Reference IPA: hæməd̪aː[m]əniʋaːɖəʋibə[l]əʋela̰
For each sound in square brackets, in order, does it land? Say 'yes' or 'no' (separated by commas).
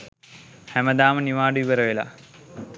yes, no